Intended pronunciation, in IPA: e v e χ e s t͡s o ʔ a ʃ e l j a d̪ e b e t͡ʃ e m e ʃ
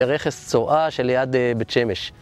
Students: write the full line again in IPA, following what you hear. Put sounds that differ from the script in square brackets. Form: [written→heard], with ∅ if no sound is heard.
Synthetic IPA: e [v→ʁ] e χ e s t͡s o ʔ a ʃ e l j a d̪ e b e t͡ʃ e m e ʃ